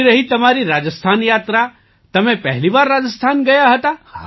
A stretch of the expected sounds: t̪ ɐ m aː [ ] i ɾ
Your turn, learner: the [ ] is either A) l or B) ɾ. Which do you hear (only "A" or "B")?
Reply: B